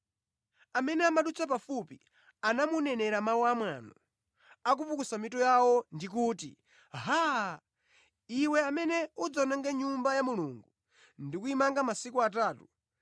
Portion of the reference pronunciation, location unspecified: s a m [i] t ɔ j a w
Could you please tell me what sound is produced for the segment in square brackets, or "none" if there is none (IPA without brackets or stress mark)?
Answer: i